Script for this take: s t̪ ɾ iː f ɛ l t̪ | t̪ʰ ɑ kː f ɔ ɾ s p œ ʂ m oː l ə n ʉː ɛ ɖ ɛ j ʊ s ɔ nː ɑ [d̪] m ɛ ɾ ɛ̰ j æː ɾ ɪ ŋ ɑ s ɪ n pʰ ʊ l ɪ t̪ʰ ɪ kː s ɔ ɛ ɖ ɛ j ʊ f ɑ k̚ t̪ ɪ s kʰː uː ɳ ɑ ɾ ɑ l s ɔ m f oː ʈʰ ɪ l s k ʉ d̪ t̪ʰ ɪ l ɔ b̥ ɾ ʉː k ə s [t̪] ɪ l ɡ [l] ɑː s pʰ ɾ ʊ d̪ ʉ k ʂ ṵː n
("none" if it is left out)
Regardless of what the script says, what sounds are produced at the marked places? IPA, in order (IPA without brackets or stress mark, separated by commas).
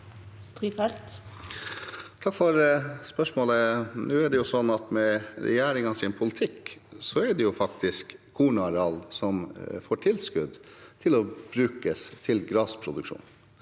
t̪, t̪ʰ, ɾ